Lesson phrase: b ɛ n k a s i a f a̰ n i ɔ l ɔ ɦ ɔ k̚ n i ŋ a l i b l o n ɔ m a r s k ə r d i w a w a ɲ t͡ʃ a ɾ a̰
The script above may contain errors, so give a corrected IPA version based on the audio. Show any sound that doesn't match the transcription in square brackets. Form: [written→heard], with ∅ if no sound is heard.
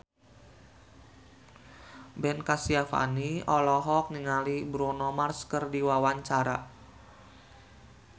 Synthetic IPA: b ɛ n k a s i a f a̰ n i ɔ l ɔ ɦ ɔ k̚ n i ŋ a l i b [l→ɾ] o n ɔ m a r s k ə r d i w a w a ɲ t͡ʃ a ɾ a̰